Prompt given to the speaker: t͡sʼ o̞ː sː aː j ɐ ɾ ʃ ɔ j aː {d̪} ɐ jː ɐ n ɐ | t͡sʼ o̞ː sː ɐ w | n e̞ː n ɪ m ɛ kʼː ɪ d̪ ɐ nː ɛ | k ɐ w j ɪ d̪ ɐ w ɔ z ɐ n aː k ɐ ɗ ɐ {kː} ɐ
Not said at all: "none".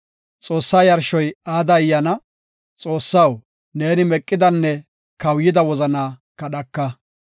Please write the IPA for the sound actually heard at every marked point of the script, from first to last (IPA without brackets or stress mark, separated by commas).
d̪, kː